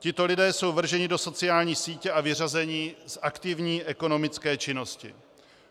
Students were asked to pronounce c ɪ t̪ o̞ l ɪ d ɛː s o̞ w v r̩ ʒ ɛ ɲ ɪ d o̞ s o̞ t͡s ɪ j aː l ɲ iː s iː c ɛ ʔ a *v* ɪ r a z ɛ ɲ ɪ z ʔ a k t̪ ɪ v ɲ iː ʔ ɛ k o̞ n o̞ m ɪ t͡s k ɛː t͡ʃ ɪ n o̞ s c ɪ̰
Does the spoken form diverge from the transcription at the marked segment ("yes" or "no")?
no